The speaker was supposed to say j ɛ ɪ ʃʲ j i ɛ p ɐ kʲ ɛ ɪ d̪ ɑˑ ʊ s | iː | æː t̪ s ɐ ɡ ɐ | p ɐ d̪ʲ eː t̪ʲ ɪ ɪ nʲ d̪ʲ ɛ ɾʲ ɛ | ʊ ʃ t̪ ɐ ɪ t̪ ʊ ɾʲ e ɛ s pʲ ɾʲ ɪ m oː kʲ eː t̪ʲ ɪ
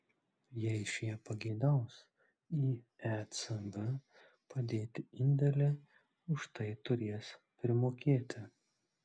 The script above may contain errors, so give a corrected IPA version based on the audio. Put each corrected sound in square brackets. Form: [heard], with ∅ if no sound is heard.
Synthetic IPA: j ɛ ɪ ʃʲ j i ɛ p ɐ [ɡʲ] ɛ ɪ d̪ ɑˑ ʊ s | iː | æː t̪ s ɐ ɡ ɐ | p ɐ d̪ʲ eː t̪ʲ ɪ ɪ nʲ d̪ʲ ɛ [lʲ] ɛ | ʊ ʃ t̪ ɐ ɪ t̪ ʊ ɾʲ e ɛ s pʲ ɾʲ ɪ m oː kʲ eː t̪ʲ ɪ